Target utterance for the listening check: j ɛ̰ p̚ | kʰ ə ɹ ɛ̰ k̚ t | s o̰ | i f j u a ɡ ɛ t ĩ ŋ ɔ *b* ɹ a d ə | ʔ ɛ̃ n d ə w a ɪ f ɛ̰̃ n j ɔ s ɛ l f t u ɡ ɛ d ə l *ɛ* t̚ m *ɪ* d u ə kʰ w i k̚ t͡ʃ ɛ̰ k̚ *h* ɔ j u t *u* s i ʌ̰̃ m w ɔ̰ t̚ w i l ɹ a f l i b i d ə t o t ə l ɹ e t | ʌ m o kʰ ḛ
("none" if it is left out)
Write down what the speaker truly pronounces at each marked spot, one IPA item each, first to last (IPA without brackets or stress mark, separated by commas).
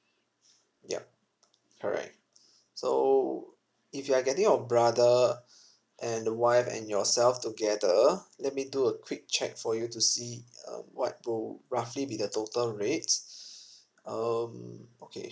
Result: b, ɛ, i, f, u